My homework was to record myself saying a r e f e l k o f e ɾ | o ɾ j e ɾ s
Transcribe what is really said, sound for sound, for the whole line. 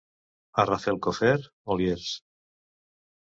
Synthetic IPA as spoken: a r a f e l k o f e ɾ | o l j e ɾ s